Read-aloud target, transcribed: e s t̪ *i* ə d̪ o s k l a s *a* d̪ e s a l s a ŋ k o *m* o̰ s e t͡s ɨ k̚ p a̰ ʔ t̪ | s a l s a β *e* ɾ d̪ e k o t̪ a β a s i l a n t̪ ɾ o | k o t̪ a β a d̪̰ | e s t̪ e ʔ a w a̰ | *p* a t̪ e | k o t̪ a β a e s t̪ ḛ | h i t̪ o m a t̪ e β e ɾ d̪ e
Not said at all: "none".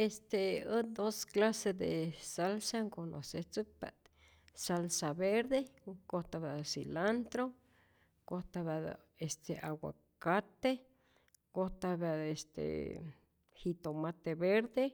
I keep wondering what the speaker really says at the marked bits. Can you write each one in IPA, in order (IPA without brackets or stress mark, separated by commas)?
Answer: e, e, n, e, k